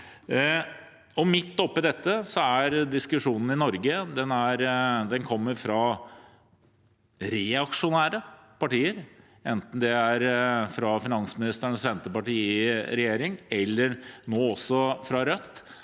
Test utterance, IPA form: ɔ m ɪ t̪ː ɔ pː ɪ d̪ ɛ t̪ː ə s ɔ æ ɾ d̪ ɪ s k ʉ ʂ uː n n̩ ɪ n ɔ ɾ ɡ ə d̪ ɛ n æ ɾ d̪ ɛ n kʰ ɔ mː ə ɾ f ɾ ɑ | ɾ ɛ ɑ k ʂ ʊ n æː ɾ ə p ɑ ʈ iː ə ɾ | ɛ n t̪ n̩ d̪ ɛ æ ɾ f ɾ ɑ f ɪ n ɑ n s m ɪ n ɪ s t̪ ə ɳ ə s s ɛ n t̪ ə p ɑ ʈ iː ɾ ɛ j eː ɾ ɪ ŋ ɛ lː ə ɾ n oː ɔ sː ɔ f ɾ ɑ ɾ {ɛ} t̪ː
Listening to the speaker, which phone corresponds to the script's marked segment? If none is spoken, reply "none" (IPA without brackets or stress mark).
œ